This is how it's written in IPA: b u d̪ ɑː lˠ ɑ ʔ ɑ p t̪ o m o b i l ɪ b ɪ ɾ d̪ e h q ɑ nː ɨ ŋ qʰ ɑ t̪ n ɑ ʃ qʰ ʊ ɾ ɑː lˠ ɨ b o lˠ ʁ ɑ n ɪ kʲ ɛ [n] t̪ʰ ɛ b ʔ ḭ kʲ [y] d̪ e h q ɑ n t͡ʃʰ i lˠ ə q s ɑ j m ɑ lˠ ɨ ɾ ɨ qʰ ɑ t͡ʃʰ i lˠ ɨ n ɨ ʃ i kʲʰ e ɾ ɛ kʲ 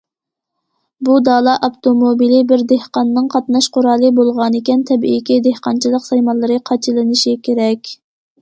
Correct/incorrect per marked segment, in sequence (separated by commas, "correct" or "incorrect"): correct, incorrect